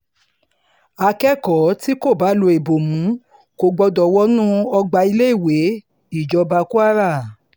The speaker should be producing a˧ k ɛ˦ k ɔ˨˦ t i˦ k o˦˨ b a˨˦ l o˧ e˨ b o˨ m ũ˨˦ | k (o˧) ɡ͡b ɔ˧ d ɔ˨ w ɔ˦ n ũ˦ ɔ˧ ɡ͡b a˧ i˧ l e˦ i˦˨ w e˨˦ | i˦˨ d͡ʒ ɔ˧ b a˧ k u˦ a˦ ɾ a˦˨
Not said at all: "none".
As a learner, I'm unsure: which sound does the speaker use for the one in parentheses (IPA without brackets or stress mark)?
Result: o˧